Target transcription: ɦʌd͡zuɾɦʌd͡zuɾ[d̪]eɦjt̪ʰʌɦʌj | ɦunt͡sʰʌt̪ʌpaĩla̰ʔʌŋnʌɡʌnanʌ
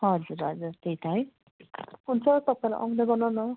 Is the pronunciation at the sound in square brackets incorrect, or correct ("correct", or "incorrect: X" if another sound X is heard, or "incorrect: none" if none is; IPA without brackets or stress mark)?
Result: incorrect: t̪